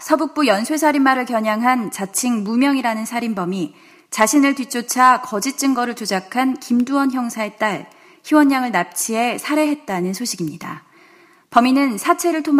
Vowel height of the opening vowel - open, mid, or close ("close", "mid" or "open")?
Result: mid